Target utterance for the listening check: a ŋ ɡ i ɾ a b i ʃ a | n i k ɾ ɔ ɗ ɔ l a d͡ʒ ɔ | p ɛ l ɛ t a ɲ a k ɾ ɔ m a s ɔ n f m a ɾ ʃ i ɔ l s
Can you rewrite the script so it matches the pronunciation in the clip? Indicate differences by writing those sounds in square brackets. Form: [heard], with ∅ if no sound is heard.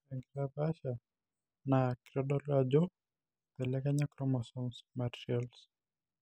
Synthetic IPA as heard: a ŋ ɡ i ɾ a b [a] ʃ a | n [a] k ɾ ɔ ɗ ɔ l a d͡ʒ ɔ | p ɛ l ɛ [k] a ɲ a k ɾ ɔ m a s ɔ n [s] m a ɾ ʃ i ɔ l s